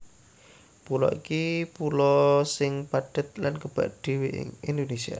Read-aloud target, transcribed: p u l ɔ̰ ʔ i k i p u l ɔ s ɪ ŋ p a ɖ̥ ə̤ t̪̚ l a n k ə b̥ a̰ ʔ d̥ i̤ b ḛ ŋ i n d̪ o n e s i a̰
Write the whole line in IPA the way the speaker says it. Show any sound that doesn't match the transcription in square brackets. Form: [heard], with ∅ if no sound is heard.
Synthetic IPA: p u l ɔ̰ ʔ i k i p u l ɔ s ɪ ŋ p a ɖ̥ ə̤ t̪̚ l a n k ə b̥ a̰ ʔ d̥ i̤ [w] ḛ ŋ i n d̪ o n e s i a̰